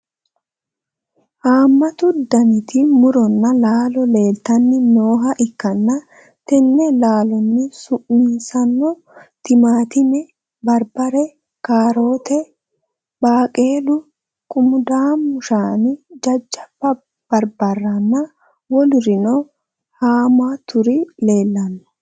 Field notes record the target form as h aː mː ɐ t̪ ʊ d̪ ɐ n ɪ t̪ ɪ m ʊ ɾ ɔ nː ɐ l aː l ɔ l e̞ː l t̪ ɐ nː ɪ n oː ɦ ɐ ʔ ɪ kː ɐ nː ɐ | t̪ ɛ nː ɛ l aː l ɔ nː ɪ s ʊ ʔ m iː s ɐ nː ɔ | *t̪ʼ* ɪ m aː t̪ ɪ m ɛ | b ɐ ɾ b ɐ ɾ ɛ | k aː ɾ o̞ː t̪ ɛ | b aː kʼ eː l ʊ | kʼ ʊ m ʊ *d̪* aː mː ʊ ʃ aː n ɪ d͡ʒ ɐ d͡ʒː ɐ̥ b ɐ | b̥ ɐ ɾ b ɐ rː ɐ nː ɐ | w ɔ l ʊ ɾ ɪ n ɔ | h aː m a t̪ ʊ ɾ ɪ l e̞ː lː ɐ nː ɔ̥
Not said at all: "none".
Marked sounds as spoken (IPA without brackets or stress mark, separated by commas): t̪, d̪